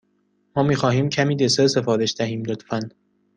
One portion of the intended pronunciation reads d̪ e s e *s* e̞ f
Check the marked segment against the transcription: correct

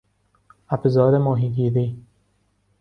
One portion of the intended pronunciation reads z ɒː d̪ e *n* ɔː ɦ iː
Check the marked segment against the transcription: incorrect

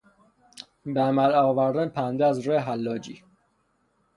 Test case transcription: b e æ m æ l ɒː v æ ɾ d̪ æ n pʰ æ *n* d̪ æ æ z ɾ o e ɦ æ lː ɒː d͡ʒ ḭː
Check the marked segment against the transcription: correct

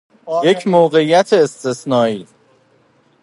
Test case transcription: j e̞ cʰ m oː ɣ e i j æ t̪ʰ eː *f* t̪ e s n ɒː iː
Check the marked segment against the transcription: incorrect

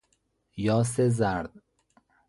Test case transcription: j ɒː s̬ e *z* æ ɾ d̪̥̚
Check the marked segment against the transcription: correct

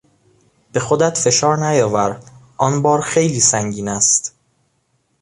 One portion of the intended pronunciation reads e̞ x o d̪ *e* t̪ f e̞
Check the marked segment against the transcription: incorrect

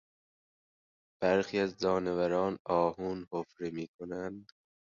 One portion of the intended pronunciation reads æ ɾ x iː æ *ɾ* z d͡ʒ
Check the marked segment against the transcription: incorrect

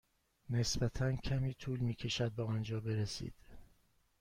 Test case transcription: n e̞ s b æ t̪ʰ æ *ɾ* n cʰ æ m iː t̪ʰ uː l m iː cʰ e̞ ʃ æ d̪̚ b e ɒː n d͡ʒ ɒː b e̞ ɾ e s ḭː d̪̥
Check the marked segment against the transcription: incorrect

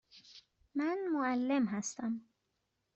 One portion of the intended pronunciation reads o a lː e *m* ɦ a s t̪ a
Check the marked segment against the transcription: correct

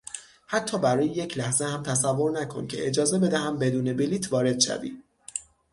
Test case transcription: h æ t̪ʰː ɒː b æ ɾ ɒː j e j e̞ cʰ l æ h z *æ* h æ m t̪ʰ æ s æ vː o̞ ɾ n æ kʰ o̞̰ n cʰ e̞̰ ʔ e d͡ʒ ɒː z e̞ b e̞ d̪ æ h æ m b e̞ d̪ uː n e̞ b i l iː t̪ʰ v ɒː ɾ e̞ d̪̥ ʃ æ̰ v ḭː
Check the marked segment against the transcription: incorrect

